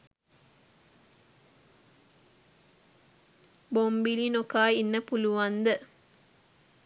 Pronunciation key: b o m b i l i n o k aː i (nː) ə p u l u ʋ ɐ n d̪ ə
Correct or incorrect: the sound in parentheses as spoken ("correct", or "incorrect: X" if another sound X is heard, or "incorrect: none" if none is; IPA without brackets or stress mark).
correct